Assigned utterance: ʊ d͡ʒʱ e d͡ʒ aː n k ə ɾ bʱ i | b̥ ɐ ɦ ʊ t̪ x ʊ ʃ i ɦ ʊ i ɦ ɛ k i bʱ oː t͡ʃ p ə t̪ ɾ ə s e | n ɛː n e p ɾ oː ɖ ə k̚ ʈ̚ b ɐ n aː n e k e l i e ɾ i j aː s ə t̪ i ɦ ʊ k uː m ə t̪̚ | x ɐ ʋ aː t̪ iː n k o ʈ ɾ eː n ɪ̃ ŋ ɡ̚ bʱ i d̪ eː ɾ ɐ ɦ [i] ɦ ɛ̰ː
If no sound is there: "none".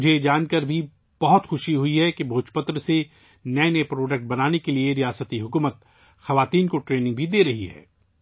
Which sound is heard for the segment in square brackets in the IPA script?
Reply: i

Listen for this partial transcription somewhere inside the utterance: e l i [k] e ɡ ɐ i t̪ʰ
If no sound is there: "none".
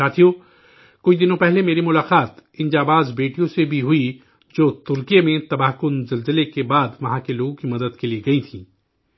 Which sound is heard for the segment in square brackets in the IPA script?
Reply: none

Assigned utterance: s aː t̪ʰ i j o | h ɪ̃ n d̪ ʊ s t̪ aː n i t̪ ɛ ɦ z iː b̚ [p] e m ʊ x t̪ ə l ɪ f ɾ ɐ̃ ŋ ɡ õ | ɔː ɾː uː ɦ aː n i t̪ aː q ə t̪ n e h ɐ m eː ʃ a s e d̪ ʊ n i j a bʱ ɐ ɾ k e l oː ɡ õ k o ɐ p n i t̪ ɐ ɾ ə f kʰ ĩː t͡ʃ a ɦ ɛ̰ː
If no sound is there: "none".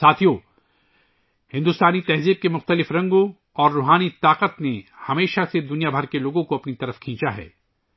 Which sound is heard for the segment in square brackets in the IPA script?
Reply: k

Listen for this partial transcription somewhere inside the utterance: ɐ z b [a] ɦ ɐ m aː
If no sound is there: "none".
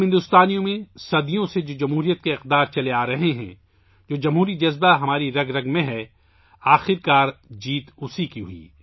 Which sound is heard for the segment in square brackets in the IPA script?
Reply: a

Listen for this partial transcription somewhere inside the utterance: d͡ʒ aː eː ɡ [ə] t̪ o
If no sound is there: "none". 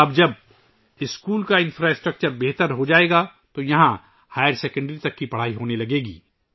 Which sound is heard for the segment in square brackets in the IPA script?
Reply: a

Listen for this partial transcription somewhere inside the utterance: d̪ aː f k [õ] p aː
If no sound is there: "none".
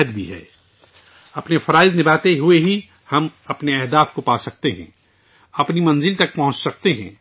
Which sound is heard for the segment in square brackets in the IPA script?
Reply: o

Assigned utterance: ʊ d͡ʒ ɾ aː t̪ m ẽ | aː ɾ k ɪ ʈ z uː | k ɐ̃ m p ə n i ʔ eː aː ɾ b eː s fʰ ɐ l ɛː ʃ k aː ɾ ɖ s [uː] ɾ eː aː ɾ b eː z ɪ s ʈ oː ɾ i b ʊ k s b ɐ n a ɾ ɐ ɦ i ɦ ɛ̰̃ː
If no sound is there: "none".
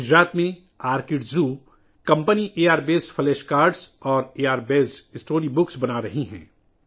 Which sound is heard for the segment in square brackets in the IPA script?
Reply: ɔː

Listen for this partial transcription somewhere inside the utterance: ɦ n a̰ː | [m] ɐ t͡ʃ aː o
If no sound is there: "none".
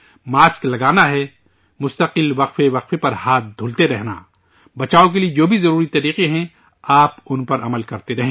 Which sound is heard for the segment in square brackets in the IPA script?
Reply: b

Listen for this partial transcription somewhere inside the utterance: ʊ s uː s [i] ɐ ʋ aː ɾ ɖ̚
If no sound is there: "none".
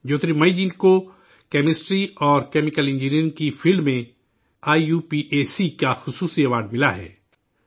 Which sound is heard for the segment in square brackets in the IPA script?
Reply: i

